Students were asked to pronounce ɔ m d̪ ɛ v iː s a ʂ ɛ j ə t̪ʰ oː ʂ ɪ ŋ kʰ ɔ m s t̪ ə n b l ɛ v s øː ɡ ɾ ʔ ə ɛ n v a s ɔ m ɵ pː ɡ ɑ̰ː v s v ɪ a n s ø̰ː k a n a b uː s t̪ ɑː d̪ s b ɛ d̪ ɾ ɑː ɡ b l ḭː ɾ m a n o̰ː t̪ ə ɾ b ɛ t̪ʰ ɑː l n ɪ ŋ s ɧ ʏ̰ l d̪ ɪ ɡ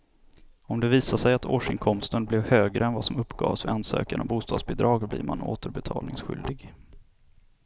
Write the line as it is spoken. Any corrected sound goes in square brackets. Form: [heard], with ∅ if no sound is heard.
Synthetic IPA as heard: ɔ m d̪ ɛ v iː s a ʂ ɛ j [a] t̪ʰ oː ʂ ɪ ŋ kʰ ɔ m s t̪ ə n b l ɛ v [h] øː ɡ ɾ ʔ ə ɛ n v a s ɔ m ɵ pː ɡ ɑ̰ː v s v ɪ a n s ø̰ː k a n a b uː s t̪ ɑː d̪ s b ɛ d̪ ɾ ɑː ɡ b l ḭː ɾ m a n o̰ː t̪ ə ɾ b ɛ t̪ʰ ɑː l n ɪ ŋ s ɧ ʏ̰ l d̪ ɪ ɡ